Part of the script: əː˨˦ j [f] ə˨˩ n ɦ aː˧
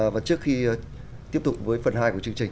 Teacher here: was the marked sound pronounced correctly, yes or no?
yes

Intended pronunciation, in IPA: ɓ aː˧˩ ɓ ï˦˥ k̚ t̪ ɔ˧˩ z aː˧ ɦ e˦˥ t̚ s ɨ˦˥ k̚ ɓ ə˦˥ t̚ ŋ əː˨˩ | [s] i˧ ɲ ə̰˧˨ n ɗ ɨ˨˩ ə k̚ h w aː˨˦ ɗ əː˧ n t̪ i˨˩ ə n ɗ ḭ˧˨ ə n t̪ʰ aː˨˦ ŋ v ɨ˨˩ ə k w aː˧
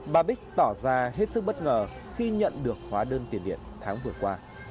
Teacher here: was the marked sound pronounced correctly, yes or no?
no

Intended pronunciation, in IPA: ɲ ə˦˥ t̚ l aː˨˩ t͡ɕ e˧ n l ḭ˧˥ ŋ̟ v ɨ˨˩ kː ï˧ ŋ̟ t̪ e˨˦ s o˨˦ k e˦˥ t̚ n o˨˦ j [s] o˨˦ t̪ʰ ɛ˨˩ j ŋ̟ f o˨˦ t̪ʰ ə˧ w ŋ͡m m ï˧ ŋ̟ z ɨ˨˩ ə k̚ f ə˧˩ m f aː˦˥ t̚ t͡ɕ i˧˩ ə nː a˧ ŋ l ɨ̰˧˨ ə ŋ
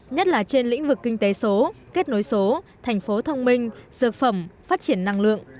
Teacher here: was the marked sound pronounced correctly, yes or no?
yes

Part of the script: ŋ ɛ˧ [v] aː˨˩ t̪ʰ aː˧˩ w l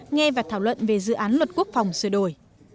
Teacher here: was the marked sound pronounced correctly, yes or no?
yes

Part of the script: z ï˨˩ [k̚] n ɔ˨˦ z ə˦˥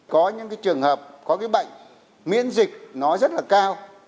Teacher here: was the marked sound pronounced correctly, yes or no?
yes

